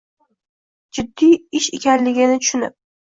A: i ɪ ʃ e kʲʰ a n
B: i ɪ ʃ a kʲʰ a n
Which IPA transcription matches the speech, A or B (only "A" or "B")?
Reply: A